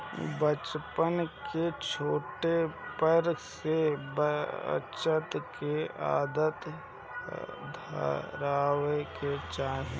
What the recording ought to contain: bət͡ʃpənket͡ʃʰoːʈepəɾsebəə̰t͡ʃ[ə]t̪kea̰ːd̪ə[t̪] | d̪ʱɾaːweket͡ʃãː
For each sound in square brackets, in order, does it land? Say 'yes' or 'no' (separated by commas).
yes, yes